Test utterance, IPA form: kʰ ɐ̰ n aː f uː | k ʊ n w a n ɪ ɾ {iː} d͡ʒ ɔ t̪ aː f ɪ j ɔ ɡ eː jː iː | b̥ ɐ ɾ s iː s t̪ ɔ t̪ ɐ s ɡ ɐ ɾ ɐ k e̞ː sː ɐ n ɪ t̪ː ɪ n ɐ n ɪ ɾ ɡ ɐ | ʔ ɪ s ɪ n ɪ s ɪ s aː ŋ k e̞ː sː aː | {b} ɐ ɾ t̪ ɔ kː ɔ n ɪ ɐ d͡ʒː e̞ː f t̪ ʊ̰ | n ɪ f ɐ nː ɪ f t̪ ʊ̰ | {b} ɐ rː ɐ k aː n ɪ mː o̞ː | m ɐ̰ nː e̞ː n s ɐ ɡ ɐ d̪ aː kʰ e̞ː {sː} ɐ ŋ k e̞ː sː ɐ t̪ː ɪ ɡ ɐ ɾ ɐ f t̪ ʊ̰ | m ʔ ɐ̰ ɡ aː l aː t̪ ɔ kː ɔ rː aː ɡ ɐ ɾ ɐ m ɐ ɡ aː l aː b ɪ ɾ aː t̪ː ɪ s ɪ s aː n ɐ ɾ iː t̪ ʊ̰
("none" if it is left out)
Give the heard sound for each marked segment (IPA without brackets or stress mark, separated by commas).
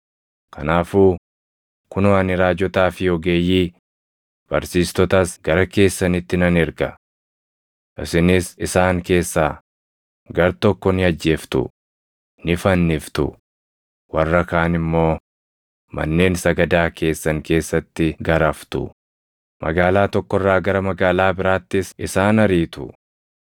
aː, ɡ, w, sː